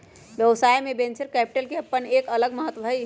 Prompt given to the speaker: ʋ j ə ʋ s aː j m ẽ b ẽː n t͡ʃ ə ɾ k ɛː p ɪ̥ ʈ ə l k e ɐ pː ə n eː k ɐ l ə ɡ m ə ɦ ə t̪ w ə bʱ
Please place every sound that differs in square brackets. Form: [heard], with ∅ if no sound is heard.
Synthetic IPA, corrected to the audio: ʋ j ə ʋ s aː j m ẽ b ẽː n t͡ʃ ə ɾ k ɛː p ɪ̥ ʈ ə l k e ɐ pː ə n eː k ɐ l ə ɡ m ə ɦ ə t̪ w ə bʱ